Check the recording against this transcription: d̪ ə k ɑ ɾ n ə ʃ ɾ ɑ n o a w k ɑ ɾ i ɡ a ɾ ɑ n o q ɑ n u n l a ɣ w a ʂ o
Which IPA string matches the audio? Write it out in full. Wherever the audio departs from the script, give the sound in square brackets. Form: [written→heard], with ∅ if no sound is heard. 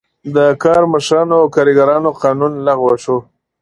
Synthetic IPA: d̪ ə k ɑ ɾ [n→m] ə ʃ ɾ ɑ n o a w k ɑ ɾ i ɡ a ɾ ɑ n o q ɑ n u n l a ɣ w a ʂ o